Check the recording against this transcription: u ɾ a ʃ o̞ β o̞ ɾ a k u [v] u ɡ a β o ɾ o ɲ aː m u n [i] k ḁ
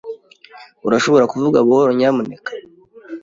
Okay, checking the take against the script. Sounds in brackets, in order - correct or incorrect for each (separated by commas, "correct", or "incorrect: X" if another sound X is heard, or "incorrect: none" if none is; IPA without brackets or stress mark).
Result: correct, incorrect: e